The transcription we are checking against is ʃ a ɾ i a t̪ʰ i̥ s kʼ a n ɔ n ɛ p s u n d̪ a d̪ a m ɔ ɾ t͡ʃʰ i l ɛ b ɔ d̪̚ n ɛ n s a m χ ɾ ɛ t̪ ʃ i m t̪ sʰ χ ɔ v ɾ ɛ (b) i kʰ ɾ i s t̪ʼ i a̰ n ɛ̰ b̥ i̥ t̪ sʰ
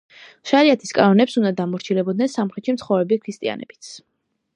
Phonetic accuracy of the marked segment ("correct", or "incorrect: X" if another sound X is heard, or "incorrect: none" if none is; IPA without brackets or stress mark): correct